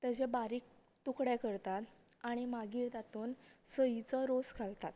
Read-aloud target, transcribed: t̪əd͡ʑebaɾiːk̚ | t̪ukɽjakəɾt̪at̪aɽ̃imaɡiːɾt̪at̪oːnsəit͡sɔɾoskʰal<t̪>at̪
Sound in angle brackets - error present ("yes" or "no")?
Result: no